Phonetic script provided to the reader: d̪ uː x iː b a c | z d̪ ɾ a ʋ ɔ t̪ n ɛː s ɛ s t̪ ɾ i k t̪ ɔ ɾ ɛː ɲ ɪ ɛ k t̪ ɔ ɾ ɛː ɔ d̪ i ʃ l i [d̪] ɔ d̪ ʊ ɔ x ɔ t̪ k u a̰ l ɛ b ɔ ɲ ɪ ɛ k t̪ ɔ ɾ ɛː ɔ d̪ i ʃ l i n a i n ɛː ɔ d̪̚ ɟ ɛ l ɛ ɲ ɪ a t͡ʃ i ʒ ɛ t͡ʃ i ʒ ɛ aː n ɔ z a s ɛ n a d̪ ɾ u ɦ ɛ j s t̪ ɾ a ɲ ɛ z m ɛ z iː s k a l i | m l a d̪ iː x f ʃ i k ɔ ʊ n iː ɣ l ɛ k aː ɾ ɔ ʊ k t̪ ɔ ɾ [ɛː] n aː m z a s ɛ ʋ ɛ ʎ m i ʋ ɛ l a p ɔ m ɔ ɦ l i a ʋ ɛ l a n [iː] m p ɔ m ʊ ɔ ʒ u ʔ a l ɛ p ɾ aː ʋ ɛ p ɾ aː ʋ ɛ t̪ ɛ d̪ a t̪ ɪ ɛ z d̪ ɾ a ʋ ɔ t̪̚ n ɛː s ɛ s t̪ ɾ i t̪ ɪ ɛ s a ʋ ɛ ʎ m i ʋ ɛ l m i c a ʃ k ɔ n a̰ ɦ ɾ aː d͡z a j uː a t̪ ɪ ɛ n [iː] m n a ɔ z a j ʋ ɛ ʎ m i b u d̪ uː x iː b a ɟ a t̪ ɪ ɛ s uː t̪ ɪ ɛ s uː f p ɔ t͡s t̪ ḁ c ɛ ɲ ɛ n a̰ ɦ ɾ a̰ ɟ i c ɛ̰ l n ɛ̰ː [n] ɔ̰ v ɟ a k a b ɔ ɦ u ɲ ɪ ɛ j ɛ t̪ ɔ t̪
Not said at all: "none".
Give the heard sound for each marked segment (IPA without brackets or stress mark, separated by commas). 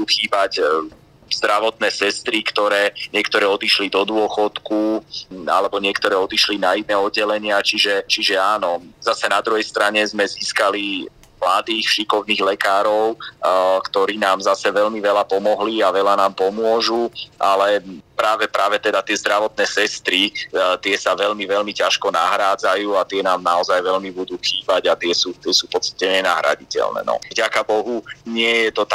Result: d̪, iː, aː, aː, n